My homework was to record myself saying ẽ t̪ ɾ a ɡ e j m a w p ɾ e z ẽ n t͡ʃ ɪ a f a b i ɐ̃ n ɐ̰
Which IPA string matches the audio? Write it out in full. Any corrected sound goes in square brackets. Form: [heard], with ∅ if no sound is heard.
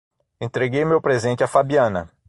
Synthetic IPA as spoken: ẽ t̪ ɾ [e] ɡ e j m [e] w p ɾ e z ẽ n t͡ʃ ɪ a f a b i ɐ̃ n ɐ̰